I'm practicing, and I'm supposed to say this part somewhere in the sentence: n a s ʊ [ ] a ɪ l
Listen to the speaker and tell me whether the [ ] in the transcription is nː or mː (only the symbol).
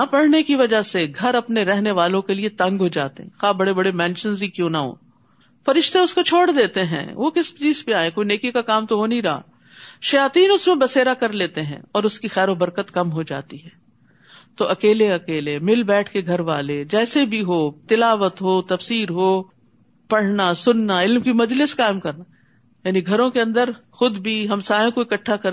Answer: nː